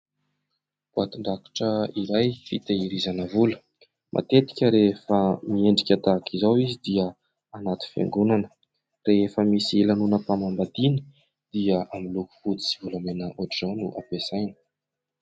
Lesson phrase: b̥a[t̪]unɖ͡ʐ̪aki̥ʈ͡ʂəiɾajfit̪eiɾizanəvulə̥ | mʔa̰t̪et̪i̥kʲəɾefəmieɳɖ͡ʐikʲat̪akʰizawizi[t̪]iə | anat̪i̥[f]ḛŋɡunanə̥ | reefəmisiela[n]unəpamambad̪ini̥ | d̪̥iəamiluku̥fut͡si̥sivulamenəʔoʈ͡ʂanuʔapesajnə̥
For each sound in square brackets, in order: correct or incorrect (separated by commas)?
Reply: correct, incorrect, correct, correct